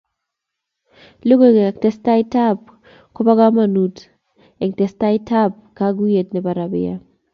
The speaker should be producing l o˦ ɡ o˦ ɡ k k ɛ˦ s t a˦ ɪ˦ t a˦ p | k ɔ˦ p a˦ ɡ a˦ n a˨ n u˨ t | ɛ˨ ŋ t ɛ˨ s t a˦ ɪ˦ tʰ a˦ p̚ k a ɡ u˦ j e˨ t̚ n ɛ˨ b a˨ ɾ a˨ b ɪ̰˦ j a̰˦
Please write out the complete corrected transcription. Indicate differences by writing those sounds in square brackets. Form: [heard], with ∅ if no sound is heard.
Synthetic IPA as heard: l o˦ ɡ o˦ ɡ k [t] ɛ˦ s t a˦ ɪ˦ t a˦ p | k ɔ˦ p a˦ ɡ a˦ [m] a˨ n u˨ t | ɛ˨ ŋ t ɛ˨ s t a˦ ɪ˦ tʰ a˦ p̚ k a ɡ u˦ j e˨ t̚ n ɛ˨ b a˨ ɾ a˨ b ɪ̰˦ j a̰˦